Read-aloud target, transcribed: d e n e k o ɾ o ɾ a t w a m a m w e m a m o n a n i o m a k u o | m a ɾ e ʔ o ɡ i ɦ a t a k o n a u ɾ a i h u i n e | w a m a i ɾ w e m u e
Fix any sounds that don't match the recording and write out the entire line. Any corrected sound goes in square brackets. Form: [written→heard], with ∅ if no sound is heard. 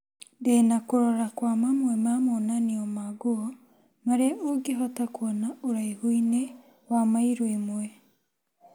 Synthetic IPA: d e n [e→a] k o ɾ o ɾ a [t→k] w a m a m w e m a m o n a n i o m a [k→ɡ] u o | m a ɾ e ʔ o ɡ i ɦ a t a k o n a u ɾ a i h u i n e | w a m a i ɾ w e m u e